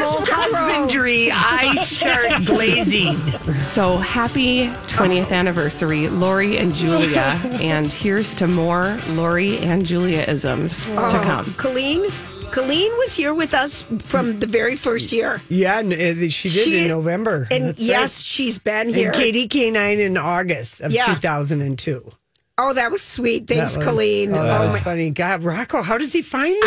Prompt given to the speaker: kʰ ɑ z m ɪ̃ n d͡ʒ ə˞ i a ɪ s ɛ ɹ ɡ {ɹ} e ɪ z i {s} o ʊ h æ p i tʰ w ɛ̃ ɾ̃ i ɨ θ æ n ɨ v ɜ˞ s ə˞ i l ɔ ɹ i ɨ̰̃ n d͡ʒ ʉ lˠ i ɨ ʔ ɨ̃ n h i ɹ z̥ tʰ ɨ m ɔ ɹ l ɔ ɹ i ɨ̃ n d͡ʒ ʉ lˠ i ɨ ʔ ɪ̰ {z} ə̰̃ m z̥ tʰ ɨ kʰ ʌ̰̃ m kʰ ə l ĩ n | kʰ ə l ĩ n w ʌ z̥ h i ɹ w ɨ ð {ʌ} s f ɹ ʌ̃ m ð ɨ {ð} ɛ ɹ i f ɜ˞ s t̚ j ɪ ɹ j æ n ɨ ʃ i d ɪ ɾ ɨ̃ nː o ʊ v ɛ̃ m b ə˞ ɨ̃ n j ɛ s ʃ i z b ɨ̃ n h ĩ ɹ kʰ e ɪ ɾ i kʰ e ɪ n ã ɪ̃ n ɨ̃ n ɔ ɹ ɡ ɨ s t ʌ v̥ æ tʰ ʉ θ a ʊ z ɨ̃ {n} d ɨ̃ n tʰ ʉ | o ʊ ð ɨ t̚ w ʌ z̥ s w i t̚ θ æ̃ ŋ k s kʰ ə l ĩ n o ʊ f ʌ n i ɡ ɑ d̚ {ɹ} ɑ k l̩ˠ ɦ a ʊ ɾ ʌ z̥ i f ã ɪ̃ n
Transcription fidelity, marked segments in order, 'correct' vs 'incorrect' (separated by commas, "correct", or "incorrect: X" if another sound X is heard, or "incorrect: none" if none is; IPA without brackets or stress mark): incorrect: l, correct, correct, correct, incorrect: v, correct, correct